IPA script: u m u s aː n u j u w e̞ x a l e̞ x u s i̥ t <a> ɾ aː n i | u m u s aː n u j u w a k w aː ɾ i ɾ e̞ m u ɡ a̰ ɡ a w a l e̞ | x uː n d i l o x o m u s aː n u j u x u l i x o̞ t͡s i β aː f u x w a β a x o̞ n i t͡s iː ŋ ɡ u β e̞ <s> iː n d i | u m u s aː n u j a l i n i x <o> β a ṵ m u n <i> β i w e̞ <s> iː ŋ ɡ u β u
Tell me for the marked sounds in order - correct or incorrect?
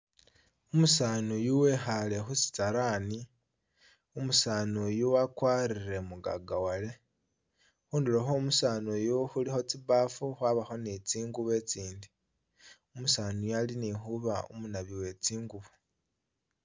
correct, incorrect: t͡s, incorrect: u, incorrect: a, incorrect: t͡s

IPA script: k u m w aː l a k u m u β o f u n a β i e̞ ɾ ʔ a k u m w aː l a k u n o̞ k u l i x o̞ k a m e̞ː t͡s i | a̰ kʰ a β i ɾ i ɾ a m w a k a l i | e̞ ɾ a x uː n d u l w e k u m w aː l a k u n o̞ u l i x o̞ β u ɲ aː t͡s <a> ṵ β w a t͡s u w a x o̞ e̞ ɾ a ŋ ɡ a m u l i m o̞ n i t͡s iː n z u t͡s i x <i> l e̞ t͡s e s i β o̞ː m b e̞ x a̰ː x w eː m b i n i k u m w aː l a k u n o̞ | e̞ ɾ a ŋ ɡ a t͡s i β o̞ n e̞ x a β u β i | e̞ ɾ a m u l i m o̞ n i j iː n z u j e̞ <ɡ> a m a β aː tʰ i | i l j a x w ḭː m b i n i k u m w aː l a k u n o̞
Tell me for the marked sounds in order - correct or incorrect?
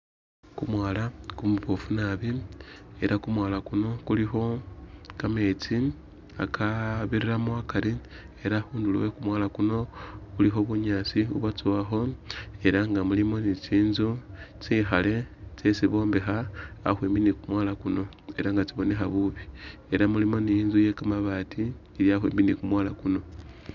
incorrect: i, incorrect: a, incorrect: k

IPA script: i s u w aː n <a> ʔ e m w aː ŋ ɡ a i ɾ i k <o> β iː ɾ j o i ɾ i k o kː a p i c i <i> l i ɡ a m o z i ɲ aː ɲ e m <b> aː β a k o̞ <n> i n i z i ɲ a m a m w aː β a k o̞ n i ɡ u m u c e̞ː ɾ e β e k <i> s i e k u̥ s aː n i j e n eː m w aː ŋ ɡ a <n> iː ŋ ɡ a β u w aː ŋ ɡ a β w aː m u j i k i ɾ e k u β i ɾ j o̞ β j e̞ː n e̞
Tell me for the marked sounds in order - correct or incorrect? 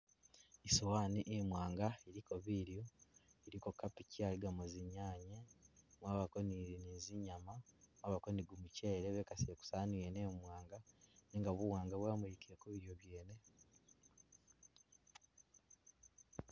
incorrect: i, correct, incorrect: a, incorrect: w, correct, incorrect: a, correct

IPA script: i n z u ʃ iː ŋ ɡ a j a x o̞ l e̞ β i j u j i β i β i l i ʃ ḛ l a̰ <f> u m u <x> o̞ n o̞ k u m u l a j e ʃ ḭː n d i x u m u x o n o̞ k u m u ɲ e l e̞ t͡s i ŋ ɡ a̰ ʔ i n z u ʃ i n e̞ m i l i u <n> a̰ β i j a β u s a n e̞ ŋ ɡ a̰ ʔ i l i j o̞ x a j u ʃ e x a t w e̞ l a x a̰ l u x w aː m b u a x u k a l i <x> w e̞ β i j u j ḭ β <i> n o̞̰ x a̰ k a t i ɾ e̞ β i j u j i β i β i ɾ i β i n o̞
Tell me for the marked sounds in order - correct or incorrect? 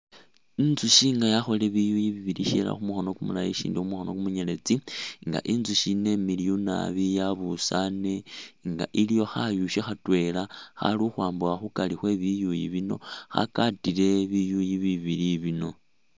incorrect: x, correct, correct, correct, correct

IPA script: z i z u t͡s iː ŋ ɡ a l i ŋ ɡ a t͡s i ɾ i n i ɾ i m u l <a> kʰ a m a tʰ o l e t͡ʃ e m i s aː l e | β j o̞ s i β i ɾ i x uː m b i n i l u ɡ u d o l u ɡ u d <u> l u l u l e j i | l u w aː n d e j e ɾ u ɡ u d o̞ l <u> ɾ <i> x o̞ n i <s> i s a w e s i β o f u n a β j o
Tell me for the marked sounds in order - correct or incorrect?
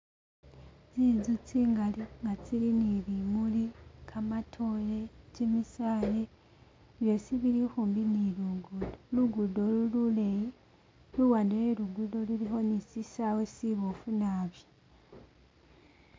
incorrect: i, incorrect: o, correct, correct, correct

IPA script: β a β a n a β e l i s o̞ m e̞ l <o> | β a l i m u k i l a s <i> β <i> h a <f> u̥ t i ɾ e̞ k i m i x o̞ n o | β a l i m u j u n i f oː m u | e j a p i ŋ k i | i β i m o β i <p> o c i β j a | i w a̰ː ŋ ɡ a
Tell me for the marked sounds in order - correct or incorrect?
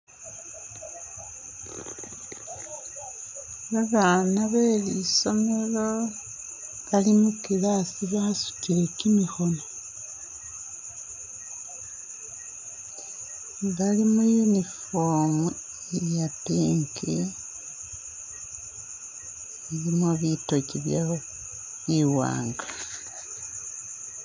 correct, correct, incorrect: a, incorrect: s, incorrect: t

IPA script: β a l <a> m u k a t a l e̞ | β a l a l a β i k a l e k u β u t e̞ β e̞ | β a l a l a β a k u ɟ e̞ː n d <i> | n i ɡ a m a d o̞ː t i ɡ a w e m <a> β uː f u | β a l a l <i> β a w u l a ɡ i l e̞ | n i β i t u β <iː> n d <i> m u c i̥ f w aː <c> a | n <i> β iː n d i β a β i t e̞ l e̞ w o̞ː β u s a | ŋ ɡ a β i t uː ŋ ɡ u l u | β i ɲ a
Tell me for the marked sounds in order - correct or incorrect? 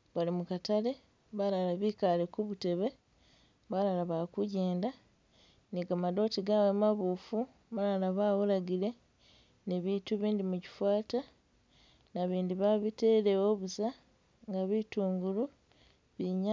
incorrect: i, incorrect: a, correct, incorrect: a, correct, correct, incorrect: t, incorrect: a

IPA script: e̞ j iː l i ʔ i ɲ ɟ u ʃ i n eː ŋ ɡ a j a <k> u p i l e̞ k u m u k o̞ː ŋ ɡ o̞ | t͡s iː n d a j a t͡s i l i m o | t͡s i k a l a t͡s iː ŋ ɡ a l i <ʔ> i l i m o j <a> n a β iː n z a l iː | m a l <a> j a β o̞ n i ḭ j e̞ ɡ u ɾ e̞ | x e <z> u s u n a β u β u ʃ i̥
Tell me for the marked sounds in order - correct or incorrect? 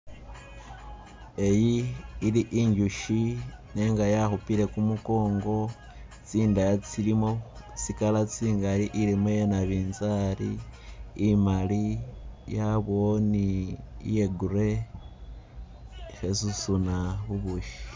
incorrect: x, correct, incorrect: e, incorrect: i, incorrect: s

